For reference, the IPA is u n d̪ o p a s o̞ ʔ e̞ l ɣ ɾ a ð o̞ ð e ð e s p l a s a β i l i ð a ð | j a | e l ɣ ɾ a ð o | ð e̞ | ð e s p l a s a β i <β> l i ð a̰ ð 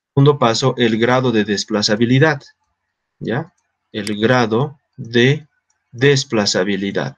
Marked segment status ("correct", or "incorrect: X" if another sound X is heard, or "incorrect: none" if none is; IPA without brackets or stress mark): incorrect: none